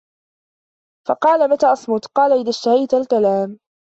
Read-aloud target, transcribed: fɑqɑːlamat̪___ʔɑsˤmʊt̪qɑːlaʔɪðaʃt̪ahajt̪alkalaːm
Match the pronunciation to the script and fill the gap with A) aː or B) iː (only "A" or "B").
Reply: A